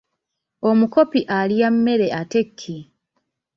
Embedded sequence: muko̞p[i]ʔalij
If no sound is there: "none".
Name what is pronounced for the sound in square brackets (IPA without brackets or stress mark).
i